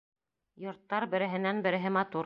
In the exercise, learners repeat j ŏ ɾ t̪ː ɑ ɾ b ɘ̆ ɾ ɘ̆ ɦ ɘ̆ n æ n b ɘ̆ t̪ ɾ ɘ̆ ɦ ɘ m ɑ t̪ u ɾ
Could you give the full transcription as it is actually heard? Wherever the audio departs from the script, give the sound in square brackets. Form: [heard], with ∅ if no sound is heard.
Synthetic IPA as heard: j ŏ ɾ t̪ː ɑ ɾ b ɘ̆ ɾ ɘ̆ ɦ ɘ̆ n æ n b ɘ̆ [∅] ɾ ɘ̆ ɦ ɘ m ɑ t̪ u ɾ